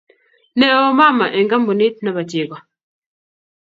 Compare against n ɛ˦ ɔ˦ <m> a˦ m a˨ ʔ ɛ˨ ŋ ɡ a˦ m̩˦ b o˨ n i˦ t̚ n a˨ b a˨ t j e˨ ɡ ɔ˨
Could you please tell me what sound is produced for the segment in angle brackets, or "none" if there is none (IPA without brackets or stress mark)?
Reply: m